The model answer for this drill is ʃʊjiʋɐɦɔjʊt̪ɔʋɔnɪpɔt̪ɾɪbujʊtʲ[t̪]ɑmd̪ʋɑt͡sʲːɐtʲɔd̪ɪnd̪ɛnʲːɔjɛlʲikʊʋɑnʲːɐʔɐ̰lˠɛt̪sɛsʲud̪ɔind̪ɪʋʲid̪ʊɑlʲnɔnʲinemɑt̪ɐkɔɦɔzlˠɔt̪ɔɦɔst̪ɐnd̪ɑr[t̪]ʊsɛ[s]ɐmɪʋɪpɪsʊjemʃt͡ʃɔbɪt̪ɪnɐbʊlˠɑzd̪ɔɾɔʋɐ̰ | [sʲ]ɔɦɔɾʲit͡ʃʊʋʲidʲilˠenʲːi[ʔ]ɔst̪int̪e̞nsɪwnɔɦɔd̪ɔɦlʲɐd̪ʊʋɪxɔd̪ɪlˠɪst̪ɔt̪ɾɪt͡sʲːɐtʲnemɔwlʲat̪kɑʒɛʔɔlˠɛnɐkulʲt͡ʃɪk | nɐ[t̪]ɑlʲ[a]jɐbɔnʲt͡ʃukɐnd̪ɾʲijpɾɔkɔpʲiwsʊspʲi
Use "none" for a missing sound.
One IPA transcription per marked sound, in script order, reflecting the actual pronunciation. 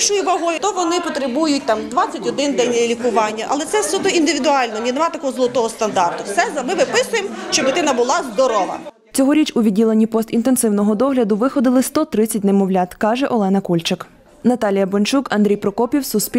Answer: t̪, t̪, z, t͡sʲ, p, t̪, i

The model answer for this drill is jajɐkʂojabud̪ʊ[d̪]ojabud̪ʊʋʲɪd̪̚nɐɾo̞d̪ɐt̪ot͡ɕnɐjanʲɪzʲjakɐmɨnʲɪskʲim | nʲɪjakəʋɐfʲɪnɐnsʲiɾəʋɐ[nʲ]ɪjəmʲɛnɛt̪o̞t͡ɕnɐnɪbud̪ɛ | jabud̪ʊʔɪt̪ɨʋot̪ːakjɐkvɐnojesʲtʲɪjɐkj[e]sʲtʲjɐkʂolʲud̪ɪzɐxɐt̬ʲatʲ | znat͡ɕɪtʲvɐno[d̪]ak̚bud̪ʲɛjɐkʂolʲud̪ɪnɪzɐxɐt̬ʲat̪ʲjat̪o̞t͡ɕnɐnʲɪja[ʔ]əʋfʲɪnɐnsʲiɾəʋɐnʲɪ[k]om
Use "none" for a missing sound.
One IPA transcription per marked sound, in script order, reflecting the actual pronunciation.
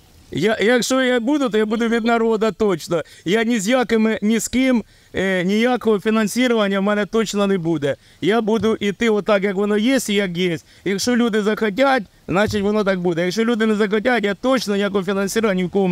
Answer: t̪, nʲ, e, t̪, k, k

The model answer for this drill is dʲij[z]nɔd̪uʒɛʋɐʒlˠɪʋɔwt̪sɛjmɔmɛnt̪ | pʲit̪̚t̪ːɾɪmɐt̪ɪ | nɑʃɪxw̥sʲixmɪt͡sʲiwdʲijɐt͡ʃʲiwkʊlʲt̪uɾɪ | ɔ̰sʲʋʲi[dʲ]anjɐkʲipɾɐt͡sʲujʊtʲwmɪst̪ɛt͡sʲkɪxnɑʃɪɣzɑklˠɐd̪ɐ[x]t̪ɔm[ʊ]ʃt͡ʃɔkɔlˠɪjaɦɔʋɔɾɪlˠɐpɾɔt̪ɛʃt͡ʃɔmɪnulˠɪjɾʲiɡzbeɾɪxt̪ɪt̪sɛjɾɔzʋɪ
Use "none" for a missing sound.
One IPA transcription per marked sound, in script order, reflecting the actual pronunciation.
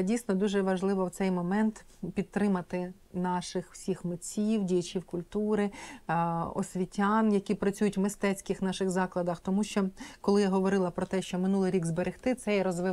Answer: s, tʲ, x, u

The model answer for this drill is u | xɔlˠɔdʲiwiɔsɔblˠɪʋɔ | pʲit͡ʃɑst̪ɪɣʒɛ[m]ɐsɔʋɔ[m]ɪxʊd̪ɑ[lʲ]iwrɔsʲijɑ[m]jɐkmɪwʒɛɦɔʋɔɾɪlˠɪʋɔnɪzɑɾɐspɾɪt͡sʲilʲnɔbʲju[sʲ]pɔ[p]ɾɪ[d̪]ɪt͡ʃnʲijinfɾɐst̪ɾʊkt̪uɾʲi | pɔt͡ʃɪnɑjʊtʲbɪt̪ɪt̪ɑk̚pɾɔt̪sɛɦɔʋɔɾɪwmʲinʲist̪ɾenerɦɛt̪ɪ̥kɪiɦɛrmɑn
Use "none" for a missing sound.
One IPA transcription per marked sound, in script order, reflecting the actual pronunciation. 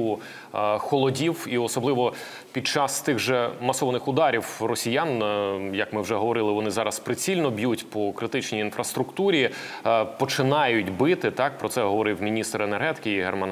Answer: m, n, ɾʲ, n, tʲ, k, t̪

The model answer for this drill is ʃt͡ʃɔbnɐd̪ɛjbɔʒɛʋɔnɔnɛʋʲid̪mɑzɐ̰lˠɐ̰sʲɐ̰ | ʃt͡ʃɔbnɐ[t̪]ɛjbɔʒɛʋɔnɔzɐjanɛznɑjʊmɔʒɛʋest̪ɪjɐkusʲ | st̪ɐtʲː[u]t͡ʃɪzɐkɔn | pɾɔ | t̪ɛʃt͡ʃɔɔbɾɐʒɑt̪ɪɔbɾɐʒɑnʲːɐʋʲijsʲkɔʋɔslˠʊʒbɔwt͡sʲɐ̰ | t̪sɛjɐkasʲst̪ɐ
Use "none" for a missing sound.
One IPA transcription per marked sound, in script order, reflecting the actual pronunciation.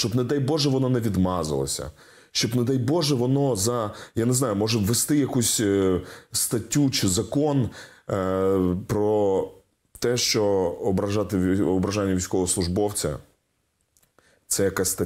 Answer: d̪, u

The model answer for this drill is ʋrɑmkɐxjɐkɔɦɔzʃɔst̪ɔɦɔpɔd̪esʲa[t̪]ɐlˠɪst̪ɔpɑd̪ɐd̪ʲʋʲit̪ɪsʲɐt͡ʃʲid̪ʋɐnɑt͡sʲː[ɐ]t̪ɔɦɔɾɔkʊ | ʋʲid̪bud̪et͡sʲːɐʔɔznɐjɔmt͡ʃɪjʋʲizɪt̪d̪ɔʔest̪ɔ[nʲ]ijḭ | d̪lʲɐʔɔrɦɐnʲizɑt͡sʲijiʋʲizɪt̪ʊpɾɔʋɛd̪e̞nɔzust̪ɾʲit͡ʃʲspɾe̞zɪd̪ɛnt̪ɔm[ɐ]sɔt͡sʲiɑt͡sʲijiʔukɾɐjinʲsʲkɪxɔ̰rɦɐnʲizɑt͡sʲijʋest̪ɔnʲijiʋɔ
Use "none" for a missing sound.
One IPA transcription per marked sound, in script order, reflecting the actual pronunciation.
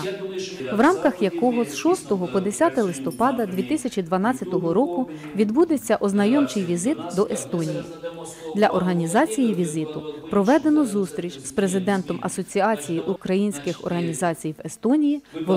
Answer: t̪, ɐ, nʲ, ɐ

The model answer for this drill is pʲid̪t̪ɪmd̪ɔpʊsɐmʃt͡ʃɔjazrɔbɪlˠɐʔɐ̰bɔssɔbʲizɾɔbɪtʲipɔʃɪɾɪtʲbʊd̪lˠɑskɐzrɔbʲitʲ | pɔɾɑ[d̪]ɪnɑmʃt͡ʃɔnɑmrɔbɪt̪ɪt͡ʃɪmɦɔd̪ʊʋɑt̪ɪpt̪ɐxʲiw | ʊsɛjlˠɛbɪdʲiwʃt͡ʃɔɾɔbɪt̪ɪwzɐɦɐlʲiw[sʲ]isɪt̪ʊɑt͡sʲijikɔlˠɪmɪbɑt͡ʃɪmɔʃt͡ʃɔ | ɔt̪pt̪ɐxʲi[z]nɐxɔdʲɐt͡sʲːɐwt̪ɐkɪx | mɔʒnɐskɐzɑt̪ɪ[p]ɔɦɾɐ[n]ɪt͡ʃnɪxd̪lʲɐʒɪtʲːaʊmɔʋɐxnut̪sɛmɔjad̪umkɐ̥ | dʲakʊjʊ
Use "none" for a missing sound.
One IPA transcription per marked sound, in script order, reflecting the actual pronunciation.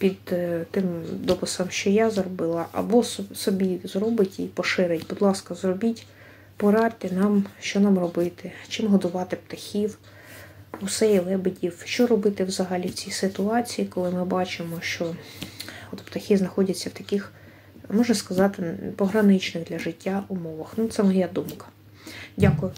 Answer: t̪, t͡sʲ, z, p, n

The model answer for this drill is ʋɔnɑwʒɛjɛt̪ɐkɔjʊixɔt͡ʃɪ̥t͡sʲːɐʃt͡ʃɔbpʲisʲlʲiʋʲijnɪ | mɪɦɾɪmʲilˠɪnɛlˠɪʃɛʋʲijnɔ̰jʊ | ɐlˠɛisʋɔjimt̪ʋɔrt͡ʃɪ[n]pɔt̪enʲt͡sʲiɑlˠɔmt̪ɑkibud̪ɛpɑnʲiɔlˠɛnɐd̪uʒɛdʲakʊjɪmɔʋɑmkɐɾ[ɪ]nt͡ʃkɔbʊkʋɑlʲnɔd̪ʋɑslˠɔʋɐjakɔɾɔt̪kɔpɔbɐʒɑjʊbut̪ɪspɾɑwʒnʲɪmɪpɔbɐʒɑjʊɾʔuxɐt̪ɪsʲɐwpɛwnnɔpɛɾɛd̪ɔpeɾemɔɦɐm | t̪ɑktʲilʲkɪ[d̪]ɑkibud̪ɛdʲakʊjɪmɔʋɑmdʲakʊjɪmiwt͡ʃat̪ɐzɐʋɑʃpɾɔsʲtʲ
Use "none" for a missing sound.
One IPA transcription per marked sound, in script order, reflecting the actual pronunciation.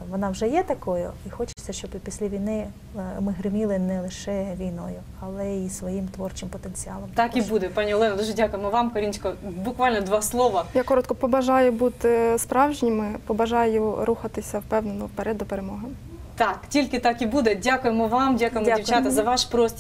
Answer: m, i, t̪

